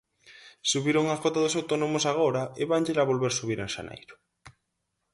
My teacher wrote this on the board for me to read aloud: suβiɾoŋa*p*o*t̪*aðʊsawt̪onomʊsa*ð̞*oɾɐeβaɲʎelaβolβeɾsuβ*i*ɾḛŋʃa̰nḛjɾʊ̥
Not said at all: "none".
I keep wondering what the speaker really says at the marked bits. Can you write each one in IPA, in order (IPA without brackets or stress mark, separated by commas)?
k, t̪, ɣ̞, i